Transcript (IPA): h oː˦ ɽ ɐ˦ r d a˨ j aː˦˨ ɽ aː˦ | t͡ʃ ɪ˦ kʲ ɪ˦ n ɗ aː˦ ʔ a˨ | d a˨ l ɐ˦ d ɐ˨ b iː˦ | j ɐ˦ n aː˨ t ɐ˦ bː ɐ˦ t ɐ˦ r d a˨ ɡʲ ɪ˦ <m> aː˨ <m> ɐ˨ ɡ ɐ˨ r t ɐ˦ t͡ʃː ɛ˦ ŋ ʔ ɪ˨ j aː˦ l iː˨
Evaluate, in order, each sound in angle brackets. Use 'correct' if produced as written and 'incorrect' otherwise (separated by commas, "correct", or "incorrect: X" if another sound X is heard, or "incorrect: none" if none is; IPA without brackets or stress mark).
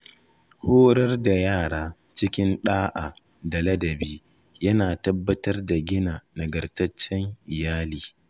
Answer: incorrect: n, incorrect: n